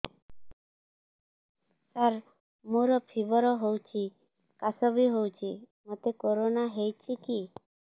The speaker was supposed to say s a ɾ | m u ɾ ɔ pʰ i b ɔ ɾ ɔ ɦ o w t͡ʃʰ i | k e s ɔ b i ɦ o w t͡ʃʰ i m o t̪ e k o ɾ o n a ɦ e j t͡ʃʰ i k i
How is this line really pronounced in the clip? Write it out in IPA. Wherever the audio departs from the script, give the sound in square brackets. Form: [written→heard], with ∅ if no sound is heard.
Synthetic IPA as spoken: s a ɾ | m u ɾ ɔ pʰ i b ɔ ɾ ɔ ɦ o w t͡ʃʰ i | k [e→a] s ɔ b i ɦ o w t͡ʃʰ i m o t̪ e k o ɾ o n a ɦ e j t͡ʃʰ i k i